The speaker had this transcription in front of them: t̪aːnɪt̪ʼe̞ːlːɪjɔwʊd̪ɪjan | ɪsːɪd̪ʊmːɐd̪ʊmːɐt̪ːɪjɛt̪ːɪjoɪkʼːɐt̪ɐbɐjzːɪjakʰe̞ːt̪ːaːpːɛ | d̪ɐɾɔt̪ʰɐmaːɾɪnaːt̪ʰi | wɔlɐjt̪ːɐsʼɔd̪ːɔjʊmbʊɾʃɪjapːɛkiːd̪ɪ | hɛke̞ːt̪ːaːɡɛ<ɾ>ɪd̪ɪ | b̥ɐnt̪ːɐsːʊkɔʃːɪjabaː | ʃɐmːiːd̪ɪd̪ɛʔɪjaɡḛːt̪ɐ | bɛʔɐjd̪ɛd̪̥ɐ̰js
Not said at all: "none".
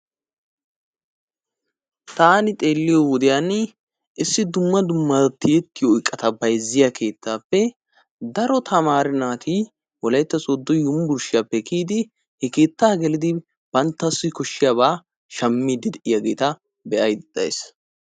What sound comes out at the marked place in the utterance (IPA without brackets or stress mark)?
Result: l